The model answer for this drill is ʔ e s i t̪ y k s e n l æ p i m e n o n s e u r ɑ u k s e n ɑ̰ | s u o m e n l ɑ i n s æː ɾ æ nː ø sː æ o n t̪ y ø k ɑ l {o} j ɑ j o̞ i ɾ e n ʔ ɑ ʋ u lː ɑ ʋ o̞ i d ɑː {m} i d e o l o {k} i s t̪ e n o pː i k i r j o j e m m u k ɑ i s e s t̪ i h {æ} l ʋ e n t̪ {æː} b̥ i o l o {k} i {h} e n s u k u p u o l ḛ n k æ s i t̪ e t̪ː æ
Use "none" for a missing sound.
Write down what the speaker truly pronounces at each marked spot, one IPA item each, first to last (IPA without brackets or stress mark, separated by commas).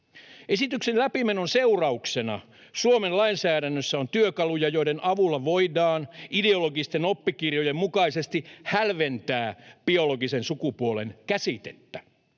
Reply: u, n, ɡ, æ, æː, ɡ, s